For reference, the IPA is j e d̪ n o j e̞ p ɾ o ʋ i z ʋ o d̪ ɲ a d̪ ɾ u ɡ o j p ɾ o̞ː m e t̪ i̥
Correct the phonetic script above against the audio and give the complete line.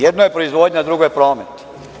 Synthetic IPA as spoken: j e d̪ n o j e̞ p ɾ o i z ʋ o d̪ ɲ a d̪ ɾ u ɡ o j p ɾ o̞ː m e t̪ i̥